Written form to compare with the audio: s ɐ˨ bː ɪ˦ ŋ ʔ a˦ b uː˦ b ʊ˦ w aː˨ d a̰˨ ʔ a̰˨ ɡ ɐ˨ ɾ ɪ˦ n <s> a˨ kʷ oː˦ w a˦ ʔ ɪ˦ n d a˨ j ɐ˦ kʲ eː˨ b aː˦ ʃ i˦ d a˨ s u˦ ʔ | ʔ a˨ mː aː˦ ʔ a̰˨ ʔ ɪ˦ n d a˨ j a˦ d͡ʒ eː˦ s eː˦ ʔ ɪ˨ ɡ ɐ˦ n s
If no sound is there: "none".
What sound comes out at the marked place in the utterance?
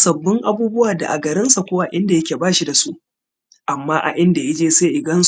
s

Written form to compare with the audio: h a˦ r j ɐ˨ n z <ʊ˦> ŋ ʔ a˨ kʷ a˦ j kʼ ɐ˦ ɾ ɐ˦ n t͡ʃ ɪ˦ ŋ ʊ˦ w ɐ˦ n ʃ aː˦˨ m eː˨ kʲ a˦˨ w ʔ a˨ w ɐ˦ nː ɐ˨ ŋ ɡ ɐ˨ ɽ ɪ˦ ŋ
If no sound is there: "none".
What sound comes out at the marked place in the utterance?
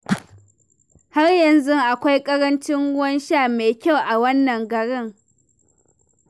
ʊ˦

